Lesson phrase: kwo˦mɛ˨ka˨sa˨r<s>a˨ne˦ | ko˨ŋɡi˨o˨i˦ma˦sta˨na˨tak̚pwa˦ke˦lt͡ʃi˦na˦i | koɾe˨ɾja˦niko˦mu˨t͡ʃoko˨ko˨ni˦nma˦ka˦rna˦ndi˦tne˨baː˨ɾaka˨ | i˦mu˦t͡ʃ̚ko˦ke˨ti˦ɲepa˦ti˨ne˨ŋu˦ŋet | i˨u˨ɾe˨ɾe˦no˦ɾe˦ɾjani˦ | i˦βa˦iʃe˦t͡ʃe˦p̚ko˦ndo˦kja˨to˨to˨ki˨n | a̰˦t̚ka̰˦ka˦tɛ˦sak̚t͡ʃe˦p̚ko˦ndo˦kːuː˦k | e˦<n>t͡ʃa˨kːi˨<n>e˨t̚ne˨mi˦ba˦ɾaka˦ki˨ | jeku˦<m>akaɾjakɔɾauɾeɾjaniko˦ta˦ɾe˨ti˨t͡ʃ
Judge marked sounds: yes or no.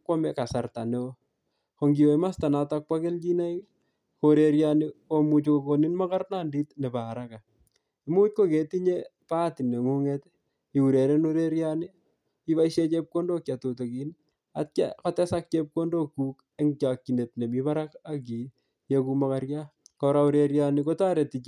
no, no, yes, yes

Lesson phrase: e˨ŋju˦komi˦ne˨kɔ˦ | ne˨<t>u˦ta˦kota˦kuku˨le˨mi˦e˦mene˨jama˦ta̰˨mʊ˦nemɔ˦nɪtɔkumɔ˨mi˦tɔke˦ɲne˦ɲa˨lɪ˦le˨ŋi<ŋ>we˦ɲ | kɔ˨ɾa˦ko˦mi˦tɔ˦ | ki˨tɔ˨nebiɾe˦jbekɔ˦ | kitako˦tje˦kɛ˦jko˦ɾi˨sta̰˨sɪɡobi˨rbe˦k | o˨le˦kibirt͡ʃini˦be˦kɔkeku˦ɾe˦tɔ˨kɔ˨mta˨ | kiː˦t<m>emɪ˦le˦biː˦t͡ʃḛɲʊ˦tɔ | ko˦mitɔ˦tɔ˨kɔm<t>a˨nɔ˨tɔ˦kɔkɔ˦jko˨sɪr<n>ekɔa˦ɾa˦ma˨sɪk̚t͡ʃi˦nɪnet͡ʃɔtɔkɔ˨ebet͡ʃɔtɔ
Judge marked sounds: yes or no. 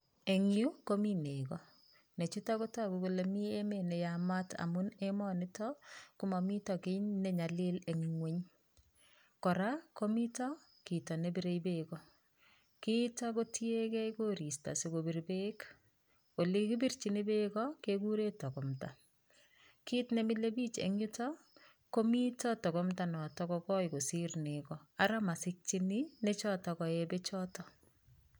no, yes, no, yes, yes

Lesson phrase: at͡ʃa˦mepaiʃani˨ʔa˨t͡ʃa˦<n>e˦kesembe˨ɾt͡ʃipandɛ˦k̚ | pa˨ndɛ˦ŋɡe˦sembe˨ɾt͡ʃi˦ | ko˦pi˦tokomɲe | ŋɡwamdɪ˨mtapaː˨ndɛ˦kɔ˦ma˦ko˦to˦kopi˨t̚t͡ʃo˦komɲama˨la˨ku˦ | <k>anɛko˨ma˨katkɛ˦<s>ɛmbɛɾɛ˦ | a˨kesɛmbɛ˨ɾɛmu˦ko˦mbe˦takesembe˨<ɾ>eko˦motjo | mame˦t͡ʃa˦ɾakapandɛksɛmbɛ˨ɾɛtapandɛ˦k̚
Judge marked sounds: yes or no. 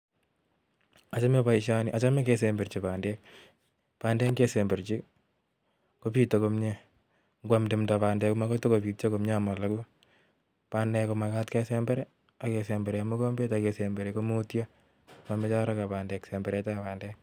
no, no, yes, yes

